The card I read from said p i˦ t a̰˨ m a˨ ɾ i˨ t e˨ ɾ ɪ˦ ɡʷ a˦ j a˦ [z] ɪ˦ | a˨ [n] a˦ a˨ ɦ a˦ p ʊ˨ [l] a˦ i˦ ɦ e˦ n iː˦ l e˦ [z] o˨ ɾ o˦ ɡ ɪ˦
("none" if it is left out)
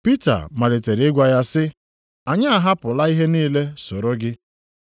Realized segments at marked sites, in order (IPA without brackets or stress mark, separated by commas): s, ɲ, l, s